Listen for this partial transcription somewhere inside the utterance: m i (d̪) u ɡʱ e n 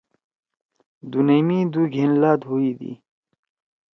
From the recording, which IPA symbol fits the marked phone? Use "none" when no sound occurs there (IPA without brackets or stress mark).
d̪